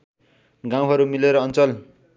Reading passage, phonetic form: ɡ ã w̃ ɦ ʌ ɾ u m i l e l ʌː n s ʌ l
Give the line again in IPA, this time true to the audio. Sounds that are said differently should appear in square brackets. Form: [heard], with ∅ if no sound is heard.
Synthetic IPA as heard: ɡ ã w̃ ɦ ʌ ɾ u m i l e [ɾ] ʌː n [t͡s] ʌ l